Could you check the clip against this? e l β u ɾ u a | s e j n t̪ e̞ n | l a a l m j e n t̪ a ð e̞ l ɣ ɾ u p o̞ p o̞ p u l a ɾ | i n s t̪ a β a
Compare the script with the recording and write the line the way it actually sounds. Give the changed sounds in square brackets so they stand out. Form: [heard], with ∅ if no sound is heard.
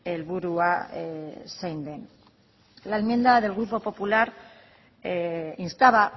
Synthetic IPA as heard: e l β u ɾ u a | s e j n [d̪] e̞ n | l a [e] l m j e n [d̪] a ð e̞ l ɣ ɾ u p o̞ p o̞ p u l a ɾ | i n s t̪ a β a

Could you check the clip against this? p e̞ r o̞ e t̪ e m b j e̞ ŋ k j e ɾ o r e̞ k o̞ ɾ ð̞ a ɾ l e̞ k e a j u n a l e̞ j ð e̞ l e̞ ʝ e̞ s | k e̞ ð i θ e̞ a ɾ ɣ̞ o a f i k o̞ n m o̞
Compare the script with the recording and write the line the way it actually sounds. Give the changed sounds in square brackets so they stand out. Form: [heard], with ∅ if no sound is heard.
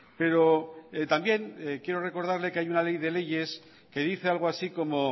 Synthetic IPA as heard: p e̞ [ɾ] o̞ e t̪ [a] m b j e̞ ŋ k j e ɾ o r e̞ k o̞ ɾ ð̞ a ɾ l e̞ k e a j u n a l e̞ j ð e̞ l e̞ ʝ e̞ s | k e̞ ð i θ e̞ a [l] ɣ̞ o a [s] i k o̞ [∅] m o̞

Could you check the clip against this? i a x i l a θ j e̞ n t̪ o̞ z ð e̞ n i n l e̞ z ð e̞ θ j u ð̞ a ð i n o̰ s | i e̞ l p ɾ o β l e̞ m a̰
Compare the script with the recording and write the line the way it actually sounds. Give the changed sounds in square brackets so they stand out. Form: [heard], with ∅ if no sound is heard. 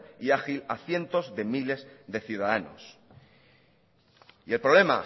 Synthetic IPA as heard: i a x i l a θ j e̞ n t̪ o̞ z ð e̞ [m] i [∅] l e̞ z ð e̞ θ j u ð̞ a ð [a] n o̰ s | i e̞ l p ɾ o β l e̞ m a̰

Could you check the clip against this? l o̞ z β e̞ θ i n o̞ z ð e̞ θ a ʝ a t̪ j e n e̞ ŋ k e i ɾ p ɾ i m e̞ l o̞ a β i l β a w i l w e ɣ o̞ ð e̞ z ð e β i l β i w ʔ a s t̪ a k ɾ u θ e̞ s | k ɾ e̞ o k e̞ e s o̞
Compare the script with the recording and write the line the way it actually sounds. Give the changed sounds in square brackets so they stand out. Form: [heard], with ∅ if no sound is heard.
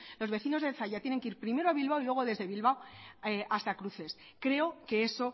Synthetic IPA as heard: l o̞ z β e̞ θ i n o̞ z ð e̞ θ a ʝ a t̪ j e n e̞ ŋ k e i ɾ p ɾ i m e̞ [ɾ] o̞ a β i l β a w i l w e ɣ o̞ ð e̞ z ð e β i l β [a] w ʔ a s t̪ a k ɾ u θ e̞ s | k ɾ e̞ o k e̞ e s o̞

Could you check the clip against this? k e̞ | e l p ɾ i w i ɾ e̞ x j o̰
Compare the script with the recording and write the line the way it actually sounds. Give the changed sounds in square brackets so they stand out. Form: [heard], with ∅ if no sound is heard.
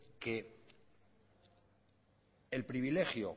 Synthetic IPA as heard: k e̞ | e l p ɾ i [β] i [l] e̞ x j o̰

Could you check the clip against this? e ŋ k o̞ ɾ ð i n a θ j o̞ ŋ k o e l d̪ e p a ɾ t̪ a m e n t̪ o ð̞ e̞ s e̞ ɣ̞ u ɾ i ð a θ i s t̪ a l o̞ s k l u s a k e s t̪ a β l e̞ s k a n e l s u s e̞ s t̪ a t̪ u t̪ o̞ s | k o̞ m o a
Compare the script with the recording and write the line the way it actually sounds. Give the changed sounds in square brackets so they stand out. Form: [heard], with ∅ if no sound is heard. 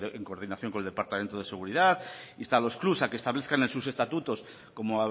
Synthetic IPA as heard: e ŋ k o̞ ɾ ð i n a θ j o̞ ŋ k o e l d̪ e p a ɾ t̪ a m e n t̪ o ð̞ e̞ s e̞ ɣ̞ u ɾ i ð a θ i s t̪ a l o̞ s k l u s a k e s t̪ a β l e̞ [θ] k a n e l s u s e̞ s t̪ a t̪ u t̪ o̞ s | k o̞ m o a

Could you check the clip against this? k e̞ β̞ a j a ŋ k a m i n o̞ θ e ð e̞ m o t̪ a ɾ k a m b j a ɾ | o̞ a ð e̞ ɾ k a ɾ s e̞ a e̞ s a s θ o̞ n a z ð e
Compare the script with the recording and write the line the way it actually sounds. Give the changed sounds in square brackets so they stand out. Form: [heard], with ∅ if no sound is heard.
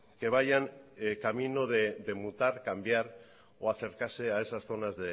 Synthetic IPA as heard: k e̞ β̞ a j a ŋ k a m i n o̞ [ð] e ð e̞ m [u] t̪ a ɾ k a m b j a ɾ | o̞ a [θ] e̞ ɾ k a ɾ s e̞ a e̞ s a s θ o̞ n a z ð e

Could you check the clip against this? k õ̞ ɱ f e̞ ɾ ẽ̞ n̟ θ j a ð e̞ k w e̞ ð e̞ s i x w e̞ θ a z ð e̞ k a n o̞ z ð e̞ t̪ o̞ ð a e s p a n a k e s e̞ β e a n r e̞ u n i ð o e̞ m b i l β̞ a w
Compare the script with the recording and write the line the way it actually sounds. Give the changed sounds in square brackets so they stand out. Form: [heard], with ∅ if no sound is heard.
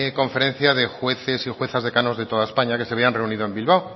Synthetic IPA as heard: k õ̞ ɱ f e̞ ɾ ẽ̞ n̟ θ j a ð e̞ [x] w e̞ [θ] e̞ s i x w e̞ θ a z ð e̞ k a n o̞ z ð e̞ t̪ o̞ ð a e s p a [ɲ] a k e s e̞ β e a n r e̞ u n i ð o e̞ m b i l β̞ a w

